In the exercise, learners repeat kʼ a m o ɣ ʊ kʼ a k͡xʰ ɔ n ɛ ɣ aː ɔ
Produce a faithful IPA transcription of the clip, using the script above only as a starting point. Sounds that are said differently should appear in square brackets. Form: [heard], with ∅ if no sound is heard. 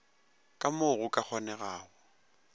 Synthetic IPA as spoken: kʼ a m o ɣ ʊ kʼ a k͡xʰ ɔ n ɛ ɣ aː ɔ

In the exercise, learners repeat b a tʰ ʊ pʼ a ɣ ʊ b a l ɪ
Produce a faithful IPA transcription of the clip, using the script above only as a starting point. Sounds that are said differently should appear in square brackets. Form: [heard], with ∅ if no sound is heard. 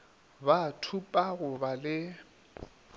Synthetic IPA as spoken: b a tʰ [u] pʼ a ɣ ʊ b a l ɪ

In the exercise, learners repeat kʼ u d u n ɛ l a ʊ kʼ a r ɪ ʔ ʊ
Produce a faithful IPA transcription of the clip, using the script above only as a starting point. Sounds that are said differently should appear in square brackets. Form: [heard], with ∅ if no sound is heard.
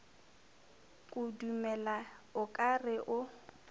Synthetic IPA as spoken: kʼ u d u [m] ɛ l a ʊ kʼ a r ɪ ʔ ʊ

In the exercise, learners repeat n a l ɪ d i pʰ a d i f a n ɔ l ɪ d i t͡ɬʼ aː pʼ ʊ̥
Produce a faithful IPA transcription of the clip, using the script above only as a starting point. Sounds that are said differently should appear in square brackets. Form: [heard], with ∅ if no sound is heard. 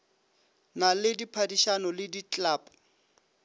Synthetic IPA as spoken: n a l ɪ d i pʰ a d i [ʃ] a n ɔ l ɪ d i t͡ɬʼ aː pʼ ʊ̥

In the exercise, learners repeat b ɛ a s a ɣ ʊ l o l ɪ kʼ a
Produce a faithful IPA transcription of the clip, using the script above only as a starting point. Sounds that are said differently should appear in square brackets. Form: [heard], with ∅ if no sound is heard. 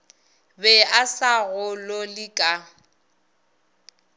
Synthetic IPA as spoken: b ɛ a s a ɣ ʊ l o l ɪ kʼ a

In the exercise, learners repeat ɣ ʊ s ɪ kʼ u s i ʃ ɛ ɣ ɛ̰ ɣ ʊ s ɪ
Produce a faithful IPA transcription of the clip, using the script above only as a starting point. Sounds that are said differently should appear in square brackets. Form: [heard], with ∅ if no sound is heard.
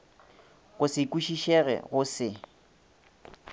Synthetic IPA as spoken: ɣ ʊ s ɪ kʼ u [ʃ] i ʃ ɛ ɣ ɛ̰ ɣ ʊ s ɪ

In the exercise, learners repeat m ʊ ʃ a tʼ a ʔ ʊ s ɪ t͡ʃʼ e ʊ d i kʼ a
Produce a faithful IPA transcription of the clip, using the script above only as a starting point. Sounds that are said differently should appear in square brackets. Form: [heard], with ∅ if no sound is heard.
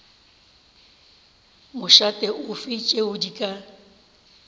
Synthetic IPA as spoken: m ʊ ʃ a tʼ [ɛ] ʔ ʊ [f] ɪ t͡ʃʼ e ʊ d i kʼ a

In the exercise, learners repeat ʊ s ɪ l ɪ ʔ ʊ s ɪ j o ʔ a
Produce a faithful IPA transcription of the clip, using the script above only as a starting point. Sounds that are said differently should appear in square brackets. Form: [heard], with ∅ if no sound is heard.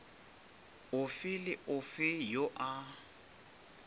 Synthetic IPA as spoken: ʊ [f] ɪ l ɪ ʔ ʊ [f] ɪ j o ʔ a

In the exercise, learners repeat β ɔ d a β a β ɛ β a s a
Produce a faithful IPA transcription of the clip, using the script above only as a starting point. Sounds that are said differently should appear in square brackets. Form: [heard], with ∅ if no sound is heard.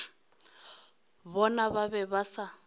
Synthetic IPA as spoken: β ɔ [n] a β a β ɛ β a s a

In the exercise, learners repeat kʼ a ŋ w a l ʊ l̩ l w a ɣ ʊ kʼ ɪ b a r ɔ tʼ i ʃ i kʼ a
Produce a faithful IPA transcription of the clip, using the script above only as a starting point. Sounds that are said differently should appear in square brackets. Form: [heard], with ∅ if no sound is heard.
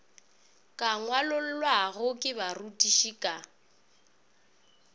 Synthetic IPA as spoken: kʼ a ŋ w a l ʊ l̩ l w a ɣ ʊ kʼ ɪ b a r [u] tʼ i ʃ i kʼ a

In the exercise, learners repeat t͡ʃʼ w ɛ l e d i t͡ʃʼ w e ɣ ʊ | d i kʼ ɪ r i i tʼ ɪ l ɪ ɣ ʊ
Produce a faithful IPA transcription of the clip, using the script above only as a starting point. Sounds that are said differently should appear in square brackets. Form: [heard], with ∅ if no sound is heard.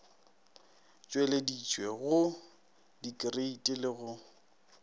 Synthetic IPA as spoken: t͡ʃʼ w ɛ l e d i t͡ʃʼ w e ɣ ʊ | d i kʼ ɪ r [e] i tʼ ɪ l ɪ ɣ ʊ

